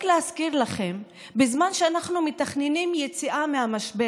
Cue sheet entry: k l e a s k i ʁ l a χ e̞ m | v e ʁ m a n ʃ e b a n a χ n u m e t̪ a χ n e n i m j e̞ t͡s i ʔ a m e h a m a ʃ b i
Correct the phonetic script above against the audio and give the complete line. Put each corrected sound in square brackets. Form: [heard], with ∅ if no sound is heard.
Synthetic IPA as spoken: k l e a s k i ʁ l a χ e̞ m | [b] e [z] m a n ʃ e [∅] a n a χ n u m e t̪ a χ n e n i m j e̞ t͡s i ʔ a m e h a m a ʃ b [e]